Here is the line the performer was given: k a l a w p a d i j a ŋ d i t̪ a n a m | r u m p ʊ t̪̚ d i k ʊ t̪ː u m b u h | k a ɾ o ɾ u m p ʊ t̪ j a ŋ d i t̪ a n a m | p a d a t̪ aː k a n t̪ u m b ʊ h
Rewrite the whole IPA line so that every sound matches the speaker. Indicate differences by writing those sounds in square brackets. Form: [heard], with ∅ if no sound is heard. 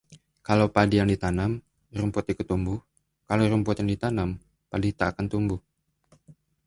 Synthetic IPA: k a l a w p a d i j a ŋ d i t̪ a n a m | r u m p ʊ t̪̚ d i k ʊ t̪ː u m b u h | k a [l] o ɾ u m p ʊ t̪ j a ŋ d i t̪ a n a m | p a d [i] t̪ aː k a n t̪ u m b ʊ h